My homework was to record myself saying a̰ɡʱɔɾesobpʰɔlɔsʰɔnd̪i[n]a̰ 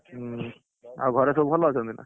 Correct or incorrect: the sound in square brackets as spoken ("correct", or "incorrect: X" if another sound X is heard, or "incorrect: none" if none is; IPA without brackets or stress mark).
correct